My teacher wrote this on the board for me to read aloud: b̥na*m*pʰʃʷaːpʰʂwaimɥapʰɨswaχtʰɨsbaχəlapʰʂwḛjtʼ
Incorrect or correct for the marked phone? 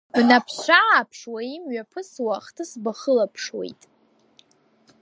incorrect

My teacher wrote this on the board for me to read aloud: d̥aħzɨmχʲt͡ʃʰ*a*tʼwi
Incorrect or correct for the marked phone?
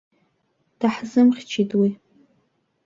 incorrect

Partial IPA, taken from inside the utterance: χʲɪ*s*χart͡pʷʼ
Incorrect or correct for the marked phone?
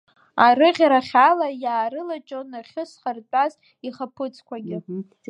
correct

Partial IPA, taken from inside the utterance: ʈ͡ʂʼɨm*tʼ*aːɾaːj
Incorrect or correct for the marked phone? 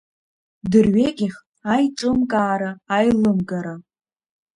incorrect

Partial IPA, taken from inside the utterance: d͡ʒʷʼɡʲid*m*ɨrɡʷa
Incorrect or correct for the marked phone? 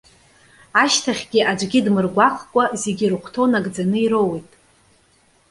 correct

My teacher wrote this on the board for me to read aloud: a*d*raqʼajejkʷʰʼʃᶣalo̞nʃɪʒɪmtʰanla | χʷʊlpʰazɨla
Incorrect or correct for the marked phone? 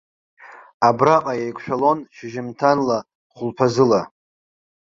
incorrect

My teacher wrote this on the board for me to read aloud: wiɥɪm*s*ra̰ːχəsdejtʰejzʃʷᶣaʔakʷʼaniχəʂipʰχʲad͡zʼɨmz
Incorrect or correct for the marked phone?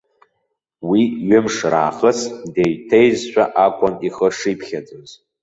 incorrect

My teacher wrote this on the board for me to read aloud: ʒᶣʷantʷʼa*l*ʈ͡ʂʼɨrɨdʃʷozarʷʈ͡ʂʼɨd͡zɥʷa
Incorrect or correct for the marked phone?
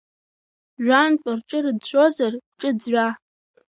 incorrect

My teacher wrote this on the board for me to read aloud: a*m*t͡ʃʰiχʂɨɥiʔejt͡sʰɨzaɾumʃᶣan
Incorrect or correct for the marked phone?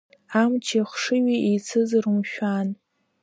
correct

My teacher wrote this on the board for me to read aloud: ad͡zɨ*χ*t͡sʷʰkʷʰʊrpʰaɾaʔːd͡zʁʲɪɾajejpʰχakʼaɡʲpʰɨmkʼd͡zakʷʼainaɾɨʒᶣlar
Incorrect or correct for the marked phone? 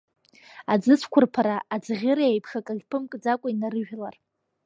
incorrect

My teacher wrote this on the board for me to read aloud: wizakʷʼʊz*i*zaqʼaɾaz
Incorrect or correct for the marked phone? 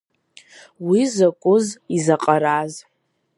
correct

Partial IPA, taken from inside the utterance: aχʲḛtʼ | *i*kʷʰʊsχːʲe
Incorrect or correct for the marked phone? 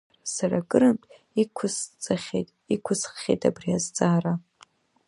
correct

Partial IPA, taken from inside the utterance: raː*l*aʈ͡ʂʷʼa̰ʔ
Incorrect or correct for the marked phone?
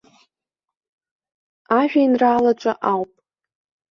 correct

